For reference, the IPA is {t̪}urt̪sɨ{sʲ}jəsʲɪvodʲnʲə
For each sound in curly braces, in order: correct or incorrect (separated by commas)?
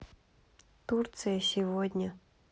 correct, incorrect